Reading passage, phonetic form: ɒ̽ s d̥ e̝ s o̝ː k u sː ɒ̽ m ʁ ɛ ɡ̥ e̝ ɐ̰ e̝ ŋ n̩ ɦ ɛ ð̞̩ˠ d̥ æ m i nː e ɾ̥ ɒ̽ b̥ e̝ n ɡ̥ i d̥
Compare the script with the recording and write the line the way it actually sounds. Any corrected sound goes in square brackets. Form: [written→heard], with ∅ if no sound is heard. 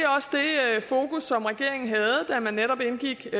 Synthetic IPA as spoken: ɒ̽ s d̥ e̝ [s→f] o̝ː k u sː ɒ̽ m ʁ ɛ ɡ̥ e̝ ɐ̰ e̝ ŋ n̩ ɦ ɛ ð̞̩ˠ d̥ æ m [i→æ] nː e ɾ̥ ɒ̽ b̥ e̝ n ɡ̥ i [d̥→ɡ̥]